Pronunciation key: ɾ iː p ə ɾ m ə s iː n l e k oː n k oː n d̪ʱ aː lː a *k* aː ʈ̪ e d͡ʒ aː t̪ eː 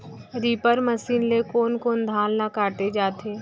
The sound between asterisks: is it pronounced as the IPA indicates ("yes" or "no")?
yes